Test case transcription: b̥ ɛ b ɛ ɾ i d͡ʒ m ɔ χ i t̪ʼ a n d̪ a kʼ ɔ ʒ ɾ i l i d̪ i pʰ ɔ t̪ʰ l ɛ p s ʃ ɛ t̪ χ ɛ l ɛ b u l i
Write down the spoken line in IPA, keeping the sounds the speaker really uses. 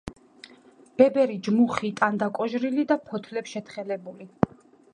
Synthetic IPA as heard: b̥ ɛ b ɛ ɾ i d͡ʒ m u χ i t̪ʼ a n d̪ a kʼ ɔ ʒ ɾ i l i d̪ a pʰ ɔ t̪ʰ l ɛ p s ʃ ɛ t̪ χ ɛ l ɛ b u l i